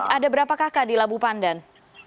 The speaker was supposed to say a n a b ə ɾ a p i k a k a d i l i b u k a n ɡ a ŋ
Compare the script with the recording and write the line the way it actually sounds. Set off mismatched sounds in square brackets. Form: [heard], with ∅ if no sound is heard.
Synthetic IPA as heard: a [d] a b ə ɾ a p [a] k a k a d i l [a] b u [p] a n [d] a [n]